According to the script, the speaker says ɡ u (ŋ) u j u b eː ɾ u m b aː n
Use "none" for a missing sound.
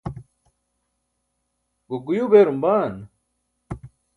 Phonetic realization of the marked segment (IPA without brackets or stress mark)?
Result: ɡ